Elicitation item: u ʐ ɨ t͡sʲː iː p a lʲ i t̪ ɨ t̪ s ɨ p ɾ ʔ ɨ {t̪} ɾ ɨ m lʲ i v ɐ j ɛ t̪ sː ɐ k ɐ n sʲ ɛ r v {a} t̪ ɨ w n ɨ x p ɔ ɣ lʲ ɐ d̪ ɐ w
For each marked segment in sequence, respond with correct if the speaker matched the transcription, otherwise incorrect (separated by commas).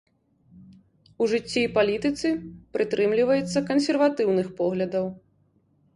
correct, correct